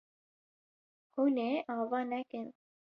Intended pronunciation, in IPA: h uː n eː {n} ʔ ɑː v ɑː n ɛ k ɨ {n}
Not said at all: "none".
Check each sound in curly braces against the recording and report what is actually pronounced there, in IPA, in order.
none, n

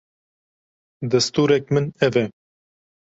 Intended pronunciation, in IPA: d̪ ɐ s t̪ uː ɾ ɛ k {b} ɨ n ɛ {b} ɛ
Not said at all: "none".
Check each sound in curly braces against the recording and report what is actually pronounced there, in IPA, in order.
m, v

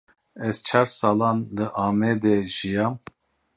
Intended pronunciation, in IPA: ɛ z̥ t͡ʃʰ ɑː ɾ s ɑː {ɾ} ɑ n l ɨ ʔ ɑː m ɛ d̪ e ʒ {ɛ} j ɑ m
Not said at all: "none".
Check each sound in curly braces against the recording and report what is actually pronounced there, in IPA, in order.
l, i

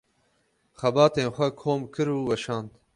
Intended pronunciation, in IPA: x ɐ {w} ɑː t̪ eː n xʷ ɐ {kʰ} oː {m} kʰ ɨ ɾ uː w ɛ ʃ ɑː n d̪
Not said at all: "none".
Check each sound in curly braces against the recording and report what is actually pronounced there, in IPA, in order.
b, kʰ, m

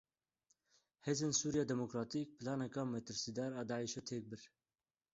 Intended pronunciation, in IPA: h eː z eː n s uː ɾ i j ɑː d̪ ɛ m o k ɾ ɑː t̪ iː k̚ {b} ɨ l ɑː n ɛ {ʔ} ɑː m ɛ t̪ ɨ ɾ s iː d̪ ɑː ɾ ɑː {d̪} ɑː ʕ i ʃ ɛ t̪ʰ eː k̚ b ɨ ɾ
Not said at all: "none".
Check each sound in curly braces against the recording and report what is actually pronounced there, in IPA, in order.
p, k, d̪

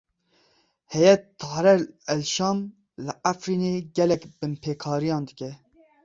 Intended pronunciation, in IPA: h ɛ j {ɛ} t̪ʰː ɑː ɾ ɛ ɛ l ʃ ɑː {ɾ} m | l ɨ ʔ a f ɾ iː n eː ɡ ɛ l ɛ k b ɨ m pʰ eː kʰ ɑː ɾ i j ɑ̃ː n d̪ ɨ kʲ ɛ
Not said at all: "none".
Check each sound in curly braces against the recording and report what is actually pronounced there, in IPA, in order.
ɛ, none

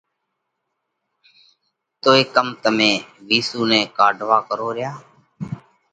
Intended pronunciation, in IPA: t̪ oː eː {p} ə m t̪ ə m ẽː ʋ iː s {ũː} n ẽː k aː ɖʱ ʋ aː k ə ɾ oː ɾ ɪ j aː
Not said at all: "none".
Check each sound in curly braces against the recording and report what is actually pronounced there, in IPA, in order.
k, uː

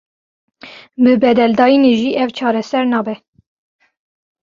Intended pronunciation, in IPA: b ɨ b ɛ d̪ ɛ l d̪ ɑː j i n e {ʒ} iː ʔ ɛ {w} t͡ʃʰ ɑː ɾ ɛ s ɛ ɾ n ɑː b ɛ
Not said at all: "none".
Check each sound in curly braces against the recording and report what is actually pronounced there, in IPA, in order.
ʒ, v

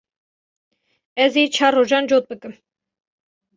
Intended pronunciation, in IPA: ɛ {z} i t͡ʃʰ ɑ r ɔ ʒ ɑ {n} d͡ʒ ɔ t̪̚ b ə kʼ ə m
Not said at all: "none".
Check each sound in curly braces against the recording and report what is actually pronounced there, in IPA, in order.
z, n

